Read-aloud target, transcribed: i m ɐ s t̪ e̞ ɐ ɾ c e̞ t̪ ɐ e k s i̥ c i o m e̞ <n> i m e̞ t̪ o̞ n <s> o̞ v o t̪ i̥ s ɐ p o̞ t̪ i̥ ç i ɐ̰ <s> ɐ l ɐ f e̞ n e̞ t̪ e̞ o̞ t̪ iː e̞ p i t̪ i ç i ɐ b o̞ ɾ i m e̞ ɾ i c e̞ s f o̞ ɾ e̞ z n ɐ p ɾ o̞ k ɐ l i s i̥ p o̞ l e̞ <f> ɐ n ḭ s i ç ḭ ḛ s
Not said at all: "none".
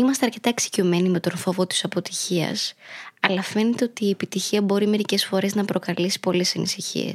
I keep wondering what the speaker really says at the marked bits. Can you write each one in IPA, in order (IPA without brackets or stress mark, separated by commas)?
n, f, s, s